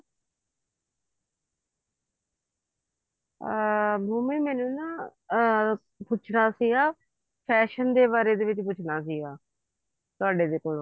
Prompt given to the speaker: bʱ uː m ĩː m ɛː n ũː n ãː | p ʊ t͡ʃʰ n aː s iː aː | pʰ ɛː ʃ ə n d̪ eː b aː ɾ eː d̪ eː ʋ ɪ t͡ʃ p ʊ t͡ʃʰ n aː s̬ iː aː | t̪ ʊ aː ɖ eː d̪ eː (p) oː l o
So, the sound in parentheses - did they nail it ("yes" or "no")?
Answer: no